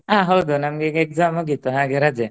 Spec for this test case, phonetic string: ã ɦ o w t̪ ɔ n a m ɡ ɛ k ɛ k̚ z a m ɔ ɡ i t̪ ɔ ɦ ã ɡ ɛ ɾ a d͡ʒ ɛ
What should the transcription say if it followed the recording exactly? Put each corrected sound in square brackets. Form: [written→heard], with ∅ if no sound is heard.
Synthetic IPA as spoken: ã ɦ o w [t̪→d̪] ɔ n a m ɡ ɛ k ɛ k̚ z a m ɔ ɡ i t̪ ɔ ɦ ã ɡ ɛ ɾ a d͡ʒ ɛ